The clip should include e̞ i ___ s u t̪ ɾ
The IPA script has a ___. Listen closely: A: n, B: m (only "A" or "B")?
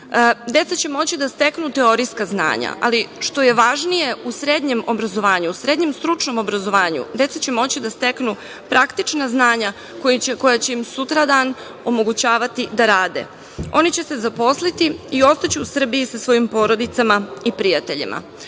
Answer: B